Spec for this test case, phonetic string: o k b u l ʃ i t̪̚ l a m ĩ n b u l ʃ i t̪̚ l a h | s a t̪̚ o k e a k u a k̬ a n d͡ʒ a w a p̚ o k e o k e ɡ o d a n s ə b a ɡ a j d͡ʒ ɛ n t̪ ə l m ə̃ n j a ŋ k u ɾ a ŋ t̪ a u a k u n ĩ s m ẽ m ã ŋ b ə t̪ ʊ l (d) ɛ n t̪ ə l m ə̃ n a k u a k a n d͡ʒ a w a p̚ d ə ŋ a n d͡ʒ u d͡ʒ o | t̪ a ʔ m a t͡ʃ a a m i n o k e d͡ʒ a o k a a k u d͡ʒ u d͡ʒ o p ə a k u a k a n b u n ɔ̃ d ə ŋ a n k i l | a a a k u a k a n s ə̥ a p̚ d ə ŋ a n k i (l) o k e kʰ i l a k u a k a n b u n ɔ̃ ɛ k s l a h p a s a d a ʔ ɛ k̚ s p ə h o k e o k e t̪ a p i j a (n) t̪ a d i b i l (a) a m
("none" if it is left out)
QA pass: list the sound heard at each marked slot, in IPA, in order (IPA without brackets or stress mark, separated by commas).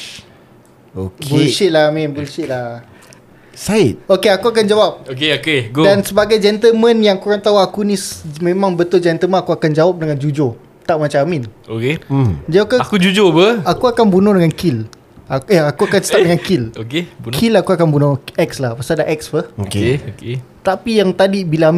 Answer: d͡ʒ, l, ŋ, a